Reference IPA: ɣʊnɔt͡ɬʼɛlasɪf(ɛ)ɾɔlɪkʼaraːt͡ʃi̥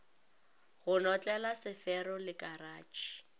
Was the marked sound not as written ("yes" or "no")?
no